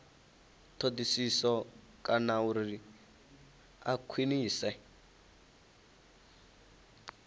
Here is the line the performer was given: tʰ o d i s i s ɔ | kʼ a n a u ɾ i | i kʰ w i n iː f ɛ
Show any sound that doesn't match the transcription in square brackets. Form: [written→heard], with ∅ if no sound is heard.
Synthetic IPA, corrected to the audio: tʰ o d i s i s ɔ | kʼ a n a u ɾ i | [i→a] kʰ w i n iː [f→s] ɛ